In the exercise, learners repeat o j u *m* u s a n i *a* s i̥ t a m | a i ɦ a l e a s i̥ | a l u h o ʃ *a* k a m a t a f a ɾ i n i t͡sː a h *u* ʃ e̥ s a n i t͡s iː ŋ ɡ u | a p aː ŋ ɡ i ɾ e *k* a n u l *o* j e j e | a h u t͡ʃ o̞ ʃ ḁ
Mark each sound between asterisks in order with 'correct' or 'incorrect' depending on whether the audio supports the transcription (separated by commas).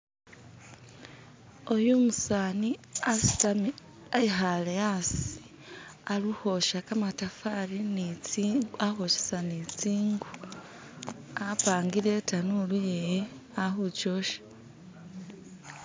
correct, correct, correct, incorrect, incorrect, incorrect